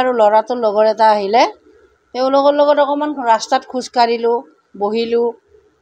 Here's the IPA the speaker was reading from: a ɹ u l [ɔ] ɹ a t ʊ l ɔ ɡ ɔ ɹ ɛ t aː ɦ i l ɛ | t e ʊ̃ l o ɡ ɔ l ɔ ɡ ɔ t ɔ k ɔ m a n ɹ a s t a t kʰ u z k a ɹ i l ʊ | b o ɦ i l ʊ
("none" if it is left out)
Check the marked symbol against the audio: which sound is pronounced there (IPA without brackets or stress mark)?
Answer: ɔ